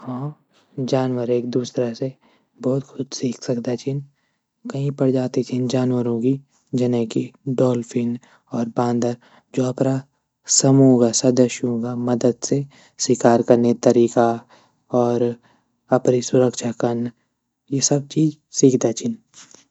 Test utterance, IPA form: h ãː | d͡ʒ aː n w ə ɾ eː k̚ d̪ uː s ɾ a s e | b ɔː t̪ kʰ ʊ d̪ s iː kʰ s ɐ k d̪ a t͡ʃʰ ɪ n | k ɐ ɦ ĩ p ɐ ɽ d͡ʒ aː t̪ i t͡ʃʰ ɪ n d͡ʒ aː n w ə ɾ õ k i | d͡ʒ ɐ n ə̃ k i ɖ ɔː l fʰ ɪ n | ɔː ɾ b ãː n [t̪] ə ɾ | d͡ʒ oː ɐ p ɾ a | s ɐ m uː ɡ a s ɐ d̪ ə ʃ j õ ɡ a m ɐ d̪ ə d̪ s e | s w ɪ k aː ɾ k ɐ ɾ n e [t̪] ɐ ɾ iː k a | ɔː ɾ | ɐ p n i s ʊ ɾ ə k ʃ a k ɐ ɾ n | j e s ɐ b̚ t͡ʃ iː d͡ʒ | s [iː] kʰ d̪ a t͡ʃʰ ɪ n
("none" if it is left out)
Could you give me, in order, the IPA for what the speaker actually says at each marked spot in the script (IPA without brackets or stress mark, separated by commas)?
d̪, t̪, iː